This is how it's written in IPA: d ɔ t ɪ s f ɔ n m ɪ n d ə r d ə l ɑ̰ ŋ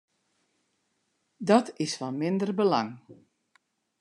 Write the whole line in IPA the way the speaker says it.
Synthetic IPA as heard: d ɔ t ɪ s f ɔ n m ɪ n d ə r b ə l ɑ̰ ŋ